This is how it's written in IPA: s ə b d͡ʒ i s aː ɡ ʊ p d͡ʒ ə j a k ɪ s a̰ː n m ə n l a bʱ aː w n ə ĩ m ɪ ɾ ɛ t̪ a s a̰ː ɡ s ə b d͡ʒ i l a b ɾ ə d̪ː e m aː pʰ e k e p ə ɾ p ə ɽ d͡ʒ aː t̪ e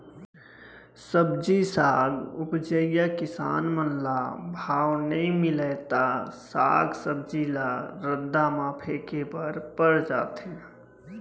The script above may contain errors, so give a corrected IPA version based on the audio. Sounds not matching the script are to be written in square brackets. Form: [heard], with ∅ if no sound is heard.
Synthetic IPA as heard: s ə b d͡ʒ i s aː ɡ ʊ p d͡ʒ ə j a k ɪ s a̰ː n m ə n l a bʱ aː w n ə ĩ m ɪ [l] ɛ t̪ a s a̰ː ɡ s ə b d͡ʒ i l a [∅] ɾ ə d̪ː [a] m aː pʰ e k e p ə ɾ p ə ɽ d͡ʒ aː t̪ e